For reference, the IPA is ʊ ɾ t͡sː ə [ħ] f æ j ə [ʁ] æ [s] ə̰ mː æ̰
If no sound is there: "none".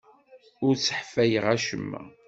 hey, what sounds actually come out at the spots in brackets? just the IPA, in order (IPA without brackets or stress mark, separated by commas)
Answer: ħ, ʁ, ʃ